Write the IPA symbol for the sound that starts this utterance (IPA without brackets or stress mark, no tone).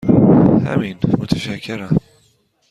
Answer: h